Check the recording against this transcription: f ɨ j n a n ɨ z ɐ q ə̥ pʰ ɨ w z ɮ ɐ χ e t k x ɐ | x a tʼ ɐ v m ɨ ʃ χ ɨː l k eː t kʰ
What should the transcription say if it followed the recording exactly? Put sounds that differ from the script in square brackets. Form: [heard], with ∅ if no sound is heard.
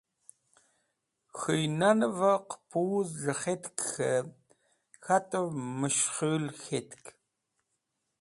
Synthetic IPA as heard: [x] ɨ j n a n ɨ [v] ɐ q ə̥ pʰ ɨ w z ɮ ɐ χ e t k x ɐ | x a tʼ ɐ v m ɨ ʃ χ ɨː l [x] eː t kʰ